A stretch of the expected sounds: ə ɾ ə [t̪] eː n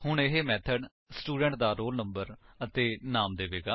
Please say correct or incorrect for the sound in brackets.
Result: correct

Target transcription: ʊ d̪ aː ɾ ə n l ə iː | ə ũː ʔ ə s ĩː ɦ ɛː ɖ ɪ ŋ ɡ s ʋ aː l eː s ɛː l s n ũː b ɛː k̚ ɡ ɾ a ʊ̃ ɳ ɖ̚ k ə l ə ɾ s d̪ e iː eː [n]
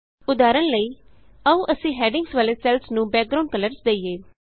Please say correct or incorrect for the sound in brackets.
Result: incorrect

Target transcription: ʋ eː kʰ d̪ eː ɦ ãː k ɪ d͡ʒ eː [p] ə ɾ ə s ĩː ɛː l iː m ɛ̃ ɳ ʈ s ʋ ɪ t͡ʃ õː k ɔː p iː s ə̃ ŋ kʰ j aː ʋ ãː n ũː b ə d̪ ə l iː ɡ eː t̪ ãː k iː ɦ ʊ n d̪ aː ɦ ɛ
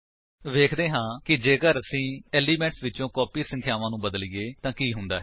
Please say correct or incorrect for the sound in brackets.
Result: incorrect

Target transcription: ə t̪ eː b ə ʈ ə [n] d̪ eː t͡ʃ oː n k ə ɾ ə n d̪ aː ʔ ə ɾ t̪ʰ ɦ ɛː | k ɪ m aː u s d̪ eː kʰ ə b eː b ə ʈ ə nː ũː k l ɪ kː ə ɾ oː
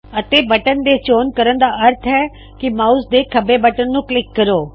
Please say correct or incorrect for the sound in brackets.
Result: correct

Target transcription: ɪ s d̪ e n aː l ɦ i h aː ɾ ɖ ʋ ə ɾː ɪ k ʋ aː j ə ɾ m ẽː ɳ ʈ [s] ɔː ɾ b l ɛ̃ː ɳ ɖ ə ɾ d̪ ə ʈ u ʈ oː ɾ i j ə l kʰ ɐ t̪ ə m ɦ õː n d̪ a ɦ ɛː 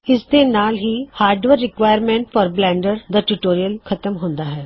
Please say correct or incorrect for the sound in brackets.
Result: incorrect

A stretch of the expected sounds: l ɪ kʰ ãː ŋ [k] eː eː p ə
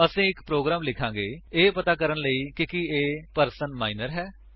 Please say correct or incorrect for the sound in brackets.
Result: incorrect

